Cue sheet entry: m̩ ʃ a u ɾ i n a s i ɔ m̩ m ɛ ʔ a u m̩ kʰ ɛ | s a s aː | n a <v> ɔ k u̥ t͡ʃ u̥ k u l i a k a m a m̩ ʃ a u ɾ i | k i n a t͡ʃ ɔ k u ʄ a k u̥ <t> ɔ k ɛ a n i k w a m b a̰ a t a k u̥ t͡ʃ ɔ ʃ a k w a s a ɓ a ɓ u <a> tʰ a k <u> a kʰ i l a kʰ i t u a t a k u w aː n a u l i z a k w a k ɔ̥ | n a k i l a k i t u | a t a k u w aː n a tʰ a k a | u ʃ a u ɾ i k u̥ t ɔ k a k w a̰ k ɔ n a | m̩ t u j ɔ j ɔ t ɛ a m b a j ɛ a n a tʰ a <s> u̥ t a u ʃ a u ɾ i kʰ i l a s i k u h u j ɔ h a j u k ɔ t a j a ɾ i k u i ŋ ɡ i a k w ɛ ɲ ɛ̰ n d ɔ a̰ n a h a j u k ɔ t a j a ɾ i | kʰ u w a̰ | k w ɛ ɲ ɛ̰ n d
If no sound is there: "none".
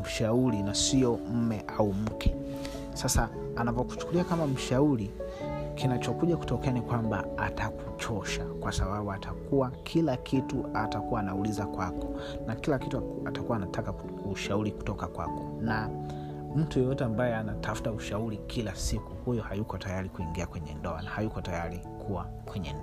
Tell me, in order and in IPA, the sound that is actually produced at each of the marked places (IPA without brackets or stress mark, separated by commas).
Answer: v, t, a, u, f